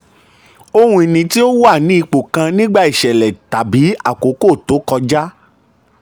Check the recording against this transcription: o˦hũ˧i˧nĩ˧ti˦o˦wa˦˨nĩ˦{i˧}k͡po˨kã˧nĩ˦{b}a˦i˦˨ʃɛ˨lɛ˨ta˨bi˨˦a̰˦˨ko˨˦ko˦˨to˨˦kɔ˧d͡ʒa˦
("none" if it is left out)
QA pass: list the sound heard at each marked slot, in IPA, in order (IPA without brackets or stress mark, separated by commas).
i˧, ɡ͡b